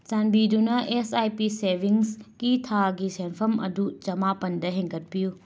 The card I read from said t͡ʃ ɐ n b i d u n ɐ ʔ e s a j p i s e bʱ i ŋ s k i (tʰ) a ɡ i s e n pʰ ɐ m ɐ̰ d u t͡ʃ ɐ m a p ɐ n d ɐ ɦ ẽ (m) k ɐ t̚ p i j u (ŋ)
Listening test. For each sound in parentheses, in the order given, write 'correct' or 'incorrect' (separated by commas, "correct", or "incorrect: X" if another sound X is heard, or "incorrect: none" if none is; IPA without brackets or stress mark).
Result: correct, incorrect: ŋ, incorrect: none